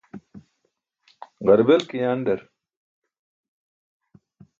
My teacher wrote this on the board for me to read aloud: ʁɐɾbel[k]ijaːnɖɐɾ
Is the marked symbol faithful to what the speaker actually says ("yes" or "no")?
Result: yes